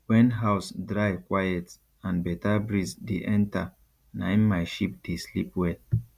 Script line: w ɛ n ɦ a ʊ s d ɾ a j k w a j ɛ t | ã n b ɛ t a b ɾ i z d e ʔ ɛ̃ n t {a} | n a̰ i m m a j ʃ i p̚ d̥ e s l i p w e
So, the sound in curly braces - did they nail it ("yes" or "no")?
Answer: yes